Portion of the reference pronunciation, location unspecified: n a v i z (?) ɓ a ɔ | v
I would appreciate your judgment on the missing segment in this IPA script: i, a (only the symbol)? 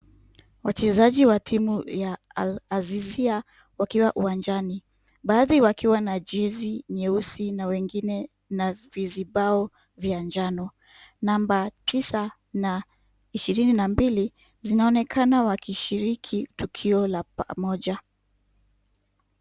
i